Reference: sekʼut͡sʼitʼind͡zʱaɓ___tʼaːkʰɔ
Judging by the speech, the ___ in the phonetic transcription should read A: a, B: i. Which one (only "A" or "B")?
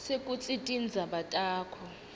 A